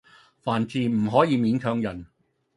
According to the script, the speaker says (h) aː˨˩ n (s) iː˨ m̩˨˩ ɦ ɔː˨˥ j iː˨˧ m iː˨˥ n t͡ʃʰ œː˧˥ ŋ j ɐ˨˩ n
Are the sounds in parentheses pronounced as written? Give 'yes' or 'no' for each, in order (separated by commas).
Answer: no, no